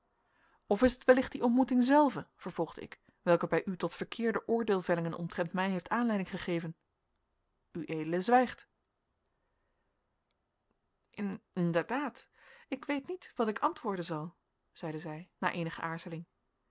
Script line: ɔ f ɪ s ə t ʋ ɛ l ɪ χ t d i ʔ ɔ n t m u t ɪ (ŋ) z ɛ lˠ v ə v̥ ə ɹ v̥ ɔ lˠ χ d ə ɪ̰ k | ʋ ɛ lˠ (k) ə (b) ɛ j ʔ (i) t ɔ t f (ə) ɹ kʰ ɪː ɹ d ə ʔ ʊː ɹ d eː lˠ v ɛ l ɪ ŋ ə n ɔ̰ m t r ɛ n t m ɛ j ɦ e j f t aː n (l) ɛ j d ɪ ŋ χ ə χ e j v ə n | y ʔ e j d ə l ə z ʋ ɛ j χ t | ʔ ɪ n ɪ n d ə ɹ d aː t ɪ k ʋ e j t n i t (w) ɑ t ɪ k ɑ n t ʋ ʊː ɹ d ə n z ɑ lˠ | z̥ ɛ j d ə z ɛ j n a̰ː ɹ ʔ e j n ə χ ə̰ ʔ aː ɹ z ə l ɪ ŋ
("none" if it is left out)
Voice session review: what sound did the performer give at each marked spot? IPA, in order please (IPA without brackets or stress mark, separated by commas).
ŋ, k, b, y, ə, l, ʋ